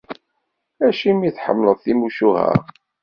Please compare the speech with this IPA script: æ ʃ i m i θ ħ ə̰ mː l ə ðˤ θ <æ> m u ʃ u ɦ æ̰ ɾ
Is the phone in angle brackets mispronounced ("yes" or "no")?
yes